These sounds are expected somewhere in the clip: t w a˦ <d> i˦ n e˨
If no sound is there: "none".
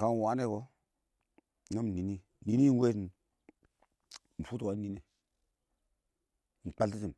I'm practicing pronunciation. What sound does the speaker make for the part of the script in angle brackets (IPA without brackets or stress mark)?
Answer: n